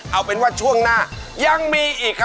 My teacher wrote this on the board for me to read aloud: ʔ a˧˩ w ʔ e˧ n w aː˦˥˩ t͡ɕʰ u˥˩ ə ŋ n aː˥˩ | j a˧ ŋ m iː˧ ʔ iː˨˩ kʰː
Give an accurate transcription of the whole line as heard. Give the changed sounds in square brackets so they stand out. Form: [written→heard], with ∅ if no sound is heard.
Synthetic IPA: ʔ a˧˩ w [ʔ→p] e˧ n w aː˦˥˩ t͡ɕʰ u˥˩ ə ŋ n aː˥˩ | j a˧ ŋ m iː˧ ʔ iː˨˩ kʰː